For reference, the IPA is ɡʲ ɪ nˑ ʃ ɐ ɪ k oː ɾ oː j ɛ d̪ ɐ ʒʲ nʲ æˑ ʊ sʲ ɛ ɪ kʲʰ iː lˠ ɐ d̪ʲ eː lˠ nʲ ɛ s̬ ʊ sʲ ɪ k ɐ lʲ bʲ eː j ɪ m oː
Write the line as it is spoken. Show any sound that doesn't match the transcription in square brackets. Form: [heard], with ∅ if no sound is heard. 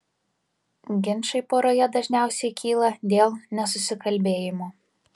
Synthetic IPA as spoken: ɡʲ ɪ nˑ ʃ ɐ ɪ [p] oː ɾ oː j ɛ d̪ ɐ ʒʲ nʲ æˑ ʊ sʲ ɛ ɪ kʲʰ iː lˠ ɐ d̪ʲ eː lˠ nʲ ɛ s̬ ʊ sʲ ɪ k ɐ lʲ bʲ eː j ɪ m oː